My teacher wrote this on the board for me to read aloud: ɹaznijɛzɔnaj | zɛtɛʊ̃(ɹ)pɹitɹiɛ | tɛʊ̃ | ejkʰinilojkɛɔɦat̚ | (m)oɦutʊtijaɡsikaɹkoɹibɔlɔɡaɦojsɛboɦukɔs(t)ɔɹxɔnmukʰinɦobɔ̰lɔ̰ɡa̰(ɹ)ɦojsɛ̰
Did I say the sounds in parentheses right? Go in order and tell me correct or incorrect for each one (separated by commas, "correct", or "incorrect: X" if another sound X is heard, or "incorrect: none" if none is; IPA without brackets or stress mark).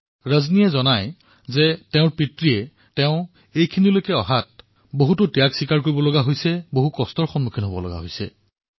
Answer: correct, incorrect: b, correct, incorrect: none